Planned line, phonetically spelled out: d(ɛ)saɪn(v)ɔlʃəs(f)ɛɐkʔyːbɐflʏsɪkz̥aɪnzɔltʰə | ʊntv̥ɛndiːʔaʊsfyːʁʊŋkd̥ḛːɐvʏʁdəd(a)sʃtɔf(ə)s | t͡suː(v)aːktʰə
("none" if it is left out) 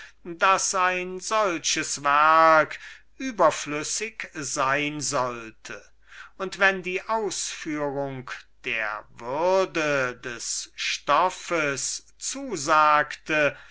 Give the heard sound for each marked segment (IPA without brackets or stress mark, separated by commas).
a, z, v, ɛ, ə, z